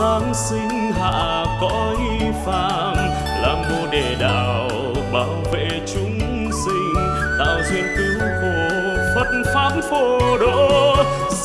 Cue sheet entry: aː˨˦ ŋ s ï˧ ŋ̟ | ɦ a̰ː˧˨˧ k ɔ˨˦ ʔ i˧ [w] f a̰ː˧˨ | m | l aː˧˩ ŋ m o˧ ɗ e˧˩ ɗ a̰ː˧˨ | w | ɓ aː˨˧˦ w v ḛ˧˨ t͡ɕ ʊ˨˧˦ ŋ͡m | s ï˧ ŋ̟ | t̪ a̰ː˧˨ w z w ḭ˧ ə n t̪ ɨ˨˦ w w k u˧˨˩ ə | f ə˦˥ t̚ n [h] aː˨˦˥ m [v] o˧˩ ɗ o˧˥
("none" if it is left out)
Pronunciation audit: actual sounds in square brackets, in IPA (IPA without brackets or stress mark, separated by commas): none, f, f